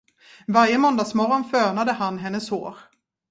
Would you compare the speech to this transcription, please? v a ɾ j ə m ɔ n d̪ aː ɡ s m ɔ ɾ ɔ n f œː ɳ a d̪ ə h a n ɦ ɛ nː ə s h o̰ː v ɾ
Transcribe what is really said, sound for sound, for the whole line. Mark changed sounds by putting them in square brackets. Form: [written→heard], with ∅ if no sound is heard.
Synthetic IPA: v a ɾ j ə m ɔ n d̪ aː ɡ s m ɔ ɾ ɔ n f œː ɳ a d̪ ə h a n ɦ ɛ nː ə s h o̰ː [v→∅] ɾ